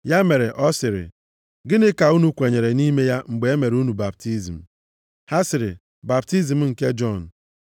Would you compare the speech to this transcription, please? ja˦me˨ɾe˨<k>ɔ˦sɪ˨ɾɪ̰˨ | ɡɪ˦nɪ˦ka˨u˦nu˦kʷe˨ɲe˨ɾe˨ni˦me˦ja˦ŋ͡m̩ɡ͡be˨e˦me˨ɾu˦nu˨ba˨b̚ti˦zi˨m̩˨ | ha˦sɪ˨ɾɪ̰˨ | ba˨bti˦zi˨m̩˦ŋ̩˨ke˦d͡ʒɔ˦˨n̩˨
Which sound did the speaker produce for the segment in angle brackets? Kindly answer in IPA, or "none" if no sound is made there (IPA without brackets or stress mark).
ʔ